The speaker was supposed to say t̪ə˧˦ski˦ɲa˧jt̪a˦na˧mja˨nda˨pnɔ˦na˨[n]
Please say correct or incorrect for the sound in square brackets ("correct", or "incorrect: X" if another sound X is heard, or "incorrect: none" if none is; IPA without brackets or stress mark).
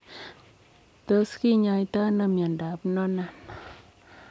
correct